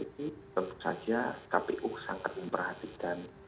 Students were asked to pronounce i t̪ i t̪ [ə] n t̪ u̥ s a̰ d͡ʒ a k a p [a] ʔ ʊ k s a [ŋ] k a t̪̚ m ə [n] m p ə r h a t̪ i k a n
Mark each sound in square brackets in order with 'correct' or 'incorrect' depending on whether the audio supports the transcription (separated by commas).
correct, incorrect, correct, incorrect